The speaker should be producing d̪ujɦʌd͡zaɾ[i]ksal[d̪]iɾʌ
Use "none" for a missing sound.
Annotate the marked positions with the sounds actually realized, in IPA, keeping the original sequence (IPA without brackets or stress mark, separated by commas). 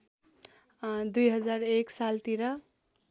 e, t̪